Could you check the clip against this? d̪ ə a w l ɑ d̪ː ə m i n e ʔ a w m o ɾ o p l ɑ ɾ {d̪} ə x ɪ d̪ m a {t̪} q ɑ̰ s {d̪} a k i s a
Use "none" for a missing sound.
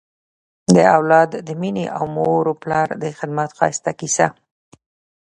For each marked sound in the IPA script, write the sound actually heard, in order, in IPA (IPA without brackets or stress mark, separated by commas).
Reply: d̪, t̪, t̪